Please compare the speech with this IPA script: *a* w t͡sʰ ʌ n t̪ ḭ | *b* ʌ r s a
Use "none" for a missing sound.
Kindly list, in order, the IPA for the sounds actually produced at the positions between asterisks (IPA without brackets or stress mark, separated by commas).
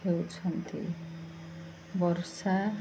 e, b